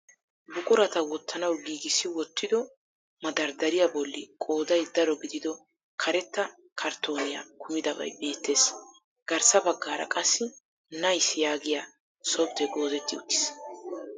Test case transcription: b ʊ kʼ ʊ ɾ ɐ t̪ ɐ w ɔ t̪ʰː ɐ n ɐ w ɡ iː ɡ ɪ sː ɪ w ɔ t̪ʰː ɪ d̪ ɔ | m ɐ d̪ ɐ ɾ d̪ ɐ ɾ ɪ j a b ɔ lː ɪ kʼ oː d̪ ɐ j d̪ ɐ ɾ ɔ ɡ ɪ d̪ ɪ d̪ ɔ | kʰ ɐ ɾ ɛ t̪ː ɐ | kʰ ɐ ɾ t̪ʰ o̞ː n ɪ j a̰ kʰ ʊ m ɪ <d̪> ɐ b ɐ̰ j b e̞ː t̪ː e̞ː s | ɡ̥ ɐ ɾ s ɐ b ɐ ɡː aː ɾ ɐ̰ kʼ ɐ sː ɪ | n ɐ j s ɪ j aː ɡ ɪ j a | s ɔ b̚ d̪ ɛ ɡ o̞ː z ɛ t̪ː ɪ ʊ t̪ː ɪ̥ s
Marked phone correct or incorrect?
correct